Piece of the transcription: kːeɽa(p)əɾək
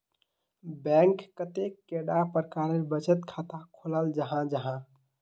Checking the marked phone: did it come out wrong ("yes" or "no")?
no